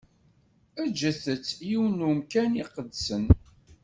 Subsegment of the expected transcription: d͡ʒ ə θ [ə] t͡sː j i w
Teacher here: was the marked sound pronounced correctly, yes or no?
yes